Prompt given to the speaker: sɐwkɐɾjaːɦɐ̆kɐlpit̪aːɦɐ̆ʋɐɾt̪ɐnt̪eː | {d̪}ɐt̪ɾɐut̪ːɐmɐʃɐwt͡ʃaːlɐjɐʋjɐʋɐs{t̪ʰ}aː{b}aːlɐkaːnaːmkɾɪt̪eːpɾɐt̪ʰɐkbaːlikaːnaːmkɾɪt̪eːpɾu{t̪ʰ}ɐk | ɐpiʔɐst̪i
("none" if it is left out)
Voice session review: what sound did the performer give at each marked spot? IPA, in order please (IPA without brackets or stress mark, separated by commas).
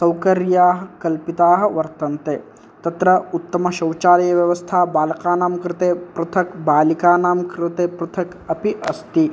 t̪, t̪ʰ, b, t̪ʰ